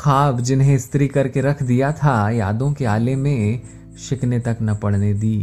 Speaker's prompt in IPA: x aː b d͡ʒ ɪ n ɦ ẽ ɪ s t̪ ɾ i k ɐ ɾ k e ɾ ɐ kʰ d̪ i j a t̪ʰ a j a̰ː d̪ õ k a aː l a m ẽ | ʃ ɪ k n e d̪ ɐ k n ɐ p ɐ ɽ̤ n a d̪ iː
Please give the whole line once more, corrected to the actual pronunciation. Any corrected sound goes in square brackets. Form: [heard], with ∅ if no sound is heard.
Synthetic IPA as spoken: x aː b d͡ʒ ɪ n ɦ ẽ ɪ s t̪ ɾ i k ɐ ɾ k e ɾ ɐ kʰ d̪ i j a t̪ʰ a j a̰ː d̪ õ k [e] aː l [e] m ẽ | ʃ ɪ k n e [t̪] ɐ k n ɐ p ɐ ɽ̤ n [e] d̪ iː